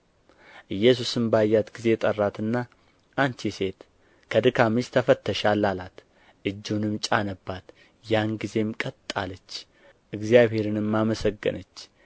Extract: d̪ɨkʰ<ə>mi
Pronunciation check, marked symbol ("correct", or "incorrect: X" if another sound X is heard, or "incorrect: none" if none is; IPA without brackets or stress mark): incorrect: a